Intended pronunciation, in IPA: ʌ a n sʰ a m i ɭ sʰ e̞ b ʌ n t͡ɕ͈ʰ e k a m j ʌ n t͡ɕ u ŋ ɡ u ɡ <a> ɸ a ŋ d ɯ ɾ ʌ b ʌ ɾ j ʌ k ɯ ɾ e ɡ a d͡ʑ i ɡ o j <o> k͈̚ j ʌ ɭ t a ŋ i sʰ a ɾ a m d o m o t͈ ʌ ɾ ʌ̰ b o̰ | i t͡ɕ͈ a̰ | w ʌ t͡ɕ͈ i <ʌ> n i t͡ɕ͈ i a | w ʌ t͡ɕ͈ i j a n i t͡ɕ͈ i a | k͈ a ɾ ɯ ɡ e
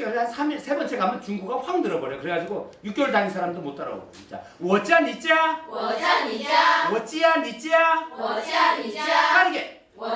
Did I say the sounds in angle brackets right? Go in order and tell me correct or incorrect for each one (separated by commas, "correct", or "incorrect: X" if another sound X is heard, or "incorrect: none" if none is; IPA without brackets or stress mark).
correct, incorrect: u, incorrect: a